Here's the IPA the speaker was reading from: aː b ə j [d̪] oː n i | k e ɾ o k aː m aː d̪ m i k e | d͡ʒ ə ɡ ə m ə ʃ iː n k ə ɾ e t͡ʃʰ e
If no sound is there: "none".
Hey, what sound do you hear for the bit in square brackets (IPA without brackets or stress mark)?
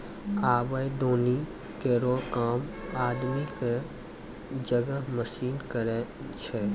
d̪